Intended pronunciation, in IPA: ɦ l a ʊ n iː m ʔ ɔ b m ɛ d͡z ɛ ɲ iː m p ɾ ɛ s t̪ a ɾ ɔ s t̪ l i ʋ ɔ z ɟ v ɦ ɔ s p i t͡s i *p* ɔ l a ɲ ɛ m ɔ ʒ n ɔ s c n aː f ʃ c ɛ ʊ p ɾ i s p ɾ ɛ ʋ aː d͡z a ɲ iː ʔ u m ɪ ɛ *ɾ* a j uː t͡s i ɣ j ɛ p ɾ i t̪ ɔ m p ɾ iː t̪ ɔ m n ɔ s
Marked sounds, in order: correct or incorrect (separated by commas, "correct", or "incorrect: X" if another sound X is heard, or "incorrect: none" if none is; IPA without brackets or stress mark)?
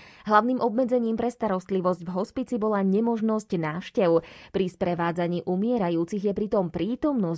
incorrect: b, correct